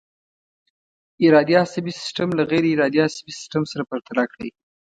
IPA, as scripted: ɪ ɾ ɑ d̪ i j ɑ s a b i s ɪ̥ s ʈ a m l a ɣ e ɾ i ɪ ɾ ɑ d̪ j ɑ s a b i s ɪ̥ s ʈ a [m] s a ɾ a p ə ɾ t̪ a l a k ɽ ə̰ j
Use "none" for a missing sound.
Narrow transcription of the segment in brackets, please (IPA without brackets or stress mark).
m